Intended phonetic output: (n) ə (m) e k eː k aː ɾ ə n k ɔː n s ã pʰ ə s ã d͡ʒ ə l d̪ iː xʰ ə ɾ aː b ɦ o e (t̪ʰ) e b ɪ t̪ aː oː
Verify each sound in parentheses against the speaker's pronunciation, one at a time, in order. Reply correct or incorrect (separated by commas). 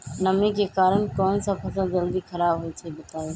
correct, correct, correct